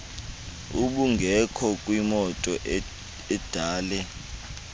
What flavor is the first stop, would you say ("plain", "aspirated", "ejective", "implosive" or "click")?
implosive